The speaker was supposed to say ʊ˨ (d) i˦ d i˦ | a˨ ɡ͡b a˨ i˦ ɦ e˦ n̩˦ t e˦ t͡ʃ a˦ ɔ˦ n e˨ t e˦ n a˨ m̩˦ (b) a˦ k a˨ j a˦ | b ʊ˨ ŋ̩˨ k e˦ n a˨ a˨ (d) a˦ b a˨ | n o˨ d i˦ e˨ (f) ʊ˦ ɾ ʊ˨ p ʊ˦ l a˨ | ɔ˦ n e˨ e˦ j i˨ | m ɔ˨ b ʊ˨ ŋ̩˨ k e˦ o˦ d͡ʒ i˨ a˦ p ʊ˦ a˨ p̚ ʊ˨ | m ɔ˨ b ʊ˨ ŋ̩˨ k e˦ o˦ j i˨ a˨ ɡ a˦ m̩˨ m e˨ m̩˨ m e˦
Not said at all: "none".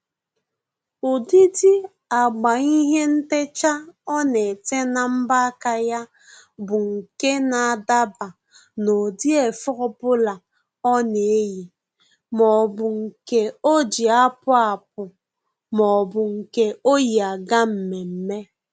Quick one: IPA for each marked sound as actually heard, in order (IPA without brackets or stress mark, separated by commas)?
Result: d, b, d, f